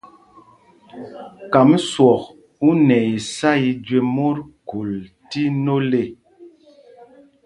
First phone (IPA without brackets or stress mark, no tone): k